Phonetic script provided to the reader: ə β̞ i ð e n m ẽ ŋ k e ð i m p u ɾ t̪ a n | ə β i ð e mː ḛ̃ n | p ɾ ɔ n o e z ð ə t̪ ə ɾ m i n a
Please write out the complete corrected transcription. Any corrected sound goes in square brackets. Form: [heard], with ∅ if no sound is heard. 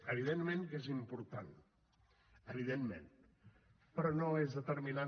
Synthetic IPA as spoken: ə β̞ i ð e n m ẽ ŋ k e [z] i m p u ɾ t̪ a n | ə β i ð e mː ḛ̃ n | p ɾ ɔ n o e z ð ə t̪ ə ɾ m i n a

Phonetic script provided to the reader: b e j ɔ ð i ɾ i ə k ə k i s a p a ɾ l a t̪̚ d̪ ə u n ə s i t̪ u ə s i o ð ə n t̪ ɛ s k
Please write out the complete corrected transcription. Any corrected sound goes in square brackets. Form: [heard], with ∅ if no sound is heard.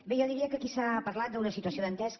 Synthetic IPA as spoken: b e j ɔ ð i ɾ i ə k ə k i s a p [ə] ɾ l a t̪̚ d̪ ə u n ə s i t̪ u ə s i o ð ə n t̪ ɛ s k

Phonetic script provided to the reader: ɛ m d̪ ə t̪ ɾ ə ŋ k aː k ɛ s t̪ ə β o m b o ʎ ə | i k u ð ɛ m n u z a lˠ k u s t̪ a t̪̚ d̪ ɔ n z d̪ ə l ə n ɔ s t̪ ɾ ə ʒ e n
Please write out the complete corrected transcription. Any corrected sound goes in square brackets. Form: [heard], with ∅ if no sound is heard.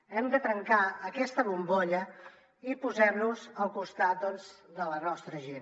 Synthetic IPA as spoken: ɛ m d̪ ə t̪ ɾ ə ŋ k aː k ɛ s t̪ ə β [u] m b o ʎ ə | i [p] u [z] ɛ m n u z [ə] lˠ k u s t̪ a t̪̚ d̪ ɔ n z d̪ ə l ə n ɔ s t̪ ɾ ə ʒ e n

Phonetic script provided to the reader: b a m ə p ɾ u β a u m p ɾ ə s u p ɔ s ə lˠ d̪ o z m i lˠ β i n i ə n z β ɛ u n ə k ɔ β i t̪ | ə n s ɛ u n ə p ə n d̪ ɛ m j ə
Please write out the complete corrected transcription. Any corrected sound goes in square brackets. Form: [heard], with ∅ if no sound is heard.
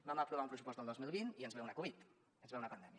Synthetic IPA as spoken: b a m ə p ɾ u β a u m p ɾ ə s u p ɔ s ə lˠ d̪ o z m i lˠ β i n i ə n z β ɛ u n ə k [u] β i t̪ | ə n [z] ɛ u n ə p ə n d̪ ɛ m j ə

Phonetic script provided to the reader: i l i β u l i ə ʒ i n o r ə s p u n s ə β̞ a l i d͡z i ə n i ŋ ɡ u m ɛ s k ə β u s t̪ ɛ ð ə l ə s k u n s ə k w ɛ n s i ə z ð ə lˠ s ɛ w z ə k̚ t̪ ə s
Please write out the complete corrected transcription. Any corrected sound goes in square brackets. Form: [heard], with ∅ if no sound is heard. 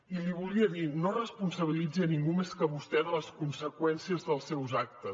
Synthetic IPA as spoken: i l i β u l i ə [ð] i n o r ə s p u n s ə β̞ [i] l i d͡z i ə n i ŋ ɡ u m [e] s k ə β u s t̪ ɛ ð ə l ə s k u n s ə k w ɛ n s i ə z ð ə lˠ s ɛ w z [a] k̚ t̪ ə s

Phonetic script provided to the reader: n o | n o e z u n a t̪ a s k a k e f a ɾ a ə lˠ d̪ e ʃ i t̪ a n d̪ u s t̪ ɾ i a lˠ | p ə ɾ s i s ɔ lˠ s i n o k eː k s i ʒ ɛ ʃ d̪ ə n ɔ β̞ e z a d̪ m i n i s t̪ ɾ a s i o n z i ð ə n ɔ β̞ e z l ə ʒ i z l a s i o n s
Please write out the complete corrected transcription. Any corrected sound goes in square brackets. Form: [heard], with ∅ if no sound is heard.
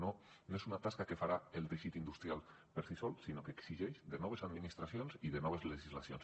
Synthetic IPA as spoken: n o | n o e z u n a t̪ a s k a k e f a ɾ a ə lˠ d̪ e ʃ i t̪ [i] n d̪ u s t̪ ɾ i a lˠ | p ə ɾ s i s ɔ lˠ s i n o k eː k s i ʒ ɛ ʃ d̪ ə n ɔ β̞ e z a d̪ m i n i s t̪ ɾ a s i o n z i ð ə n ɔ β̞ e z l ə ʒ i z l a s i o n s

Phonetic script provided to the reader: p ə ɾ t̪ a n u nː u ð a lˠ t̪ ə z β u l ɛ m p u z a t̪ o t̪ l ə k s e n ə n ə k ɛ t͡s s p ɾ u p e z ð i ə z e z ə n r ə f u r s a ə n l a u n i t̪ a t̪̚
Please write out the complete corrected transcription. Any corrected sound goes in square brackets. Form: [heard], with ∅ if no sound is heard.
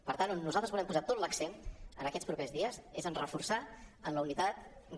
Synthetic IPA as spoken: p ə ɾ t̪ a n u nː u [z] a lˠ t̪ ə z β u l ɛ m p u z a t̪ o t̪ l ə k s e n ə n ə k ɛ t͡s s p ɾ u p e z ð i ə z e z ə n r ə f u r s a ə n l [ə] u n i t̪ a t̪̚

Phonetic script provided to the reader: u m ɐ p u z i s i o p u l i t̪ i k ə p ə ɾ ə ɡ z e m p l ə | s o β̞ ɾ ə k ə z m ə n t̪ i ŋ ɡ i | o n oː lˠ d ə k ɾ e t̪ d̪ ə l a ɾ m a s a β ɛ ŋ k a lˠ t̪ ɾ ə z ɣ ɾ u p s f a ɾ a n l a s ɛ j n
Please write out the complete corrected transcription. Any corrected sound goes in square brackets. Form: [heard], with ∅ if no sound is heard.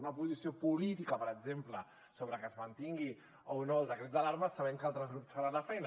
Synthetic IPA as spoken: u [n] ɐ p u z i s i o p u l i t̪ i k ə p ə ɾ ə ɡ z e m p l ə | s o β̞ ɾ ə k ə z m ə n t̪ i ŋ ɡ i | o n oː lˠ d ə k ɾ e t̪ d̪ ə l a ɾ m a s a β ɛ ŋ k a lˠ t̪ ɾ ə z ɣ ɾ u p s f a ɾ a n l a [f] ɛ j n

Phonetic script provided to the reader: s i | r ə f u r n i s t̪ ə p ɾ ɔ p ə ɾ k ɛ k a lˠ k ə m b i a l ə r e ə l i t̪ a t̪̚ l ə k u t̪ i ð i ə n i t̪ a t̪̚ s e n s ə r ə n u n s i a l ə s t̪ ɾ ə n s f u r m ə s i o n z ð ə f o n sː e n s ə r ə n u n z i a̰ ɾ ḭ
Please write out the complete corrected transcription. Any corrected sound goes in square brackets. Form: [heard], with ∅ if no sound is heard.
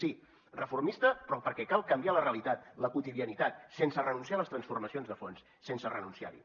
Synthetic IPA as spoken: s i | r ə f u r [m] i s t̪ ə p ɾ ɔ p ə ɾ k ɛ k a lˠ k ə m b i a l ə r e ə l i t̪ a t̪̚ l ə k u t̪ i ð i ə n i t̪ a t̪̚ s e n s ə r ə n u n s i a l ə s t̪ ɾ ə n s f u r m ə s i o n z ð ə f o n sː e n s ə r ə n u n [s] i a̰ ɾ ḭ

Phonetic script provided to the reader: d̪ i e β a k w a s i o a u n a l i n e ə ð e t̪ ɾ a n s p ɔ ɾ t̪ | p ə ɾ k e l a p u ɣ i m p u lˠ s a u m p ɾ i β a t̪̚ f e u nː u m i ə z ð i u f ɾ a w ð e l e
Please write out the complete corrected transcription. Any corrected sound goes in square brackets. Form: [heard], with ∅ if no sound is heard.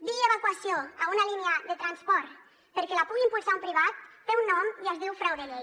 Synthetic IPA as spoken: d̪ i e β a k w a s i o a u n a l i n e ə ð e t̪ ɾ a n s p ɔ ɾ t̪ | p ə ɾ k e l a p u ɣ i m p u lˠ s a u m p ɾ i β a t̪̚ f e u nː [ɔ] m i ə z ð i [w] f ɾ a w ð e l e

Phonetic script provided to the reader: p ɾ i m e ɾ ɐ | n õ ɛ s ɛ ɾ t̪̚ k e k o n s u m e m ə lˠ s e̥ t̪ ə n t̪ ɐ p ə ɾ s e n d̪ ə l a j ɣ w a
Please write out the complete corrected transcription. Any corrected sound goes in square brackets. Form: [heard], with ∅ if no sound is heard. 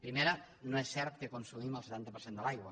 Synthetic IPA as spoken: p ɾ i m e ɾ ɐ | n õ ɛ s ɛ ɾ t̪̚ k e k o n s u m [i] m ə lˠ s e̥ t̪ [a] n t̪ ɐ p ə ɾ s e n d̪ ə l a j ɣ w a

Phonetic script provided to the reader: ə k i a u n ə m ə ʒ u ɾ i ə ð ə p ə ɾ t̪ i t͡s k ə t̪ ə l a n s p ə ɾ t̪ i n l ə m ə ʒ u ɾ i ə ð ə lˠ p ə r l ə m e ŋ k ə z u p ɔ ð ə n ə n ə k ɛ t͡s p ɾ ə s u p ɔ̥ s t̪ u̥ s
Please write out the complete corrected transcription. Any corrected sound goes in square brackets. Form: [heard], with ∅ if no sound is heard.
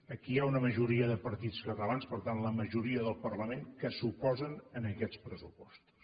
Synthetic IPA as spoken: ə k i a u n ə m ə ʒ u ɾ i ə ð ə p ə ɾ t̪ i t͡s k ə t̪ ə l a n s p ə ɾ t̪ [a] n l ə m ə ʒ u ɾ i ə ð ə lˠ p ə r l ə m e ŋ k ə [s] u p ɔ [z] ə n ə n ə k ɛ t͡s p ɾ ə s u p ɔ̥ s t̪ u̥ s

